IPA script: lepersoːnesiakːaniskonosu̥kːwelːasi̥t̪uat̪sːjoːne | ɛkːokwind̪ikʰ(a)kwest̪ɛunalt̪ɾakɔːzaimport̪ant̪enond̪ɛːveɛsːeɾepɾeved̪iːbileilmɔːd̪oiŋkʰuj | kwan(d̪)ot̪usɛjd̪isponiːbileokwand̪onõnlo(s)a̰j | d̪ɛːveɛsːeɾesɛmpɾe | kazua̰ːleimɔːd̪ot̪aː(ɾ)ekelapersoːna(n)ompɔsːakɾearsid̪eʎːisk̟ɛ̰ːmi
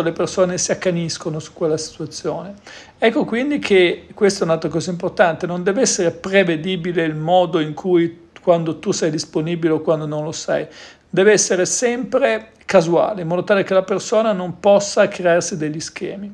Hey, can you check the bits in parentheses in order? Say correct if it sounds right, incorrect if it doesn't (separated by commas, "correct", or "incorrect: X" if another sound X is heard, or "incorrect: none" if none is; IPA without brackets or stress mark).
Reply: incorrect: e, correct, correct, incorrect: l, correct